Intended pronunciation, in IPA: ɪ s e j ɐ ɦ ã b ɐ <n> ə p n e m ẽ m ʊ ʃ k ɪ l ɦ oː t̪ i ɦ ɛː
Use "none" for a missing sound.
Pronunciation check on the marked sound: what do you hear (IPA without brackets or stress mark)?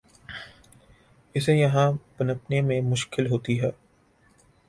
n